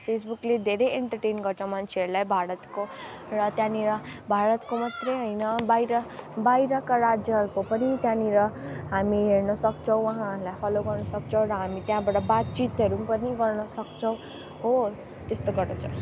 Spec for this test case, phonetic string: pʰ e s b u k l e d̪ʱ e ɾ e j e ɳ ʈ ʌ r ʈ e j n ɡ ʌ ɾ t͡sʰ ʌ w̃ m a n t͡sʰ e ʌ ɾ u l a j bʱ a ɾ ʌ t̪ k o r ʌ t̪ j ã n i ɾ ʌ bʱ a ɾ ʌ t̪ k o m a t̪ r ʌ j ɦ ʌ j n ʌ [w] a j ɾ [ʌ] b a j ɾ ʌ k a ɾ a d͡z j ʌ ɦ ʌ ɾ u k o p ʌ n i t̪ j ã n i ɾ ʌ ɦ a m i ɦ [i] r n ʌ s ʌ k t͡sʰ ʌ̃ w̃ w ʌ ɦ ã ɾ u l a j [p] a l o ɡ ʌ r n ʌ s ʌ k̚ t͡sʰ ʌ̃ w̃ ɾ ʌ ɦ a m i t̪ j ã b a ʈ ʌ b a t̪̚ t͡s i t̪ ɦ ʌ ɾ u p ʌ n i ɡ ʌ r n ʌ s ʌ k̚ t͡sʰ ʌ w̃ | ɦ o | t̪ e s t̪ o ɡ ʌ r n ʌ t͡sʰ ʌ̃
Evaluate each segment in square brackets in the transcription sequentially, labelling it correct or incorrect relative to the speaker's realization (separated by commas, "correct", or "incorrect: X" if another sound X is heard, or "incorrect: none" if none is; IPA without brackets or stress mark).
incorrect: b, correct, incorrect: e, incorrect: pʰ